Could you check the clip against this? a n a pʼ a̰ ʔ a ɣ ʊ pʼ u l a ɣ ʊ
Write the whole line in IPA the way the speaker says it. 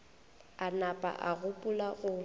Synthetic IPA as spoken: a n a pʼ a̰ ʔ a ɣ ʊ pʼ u l a ɣ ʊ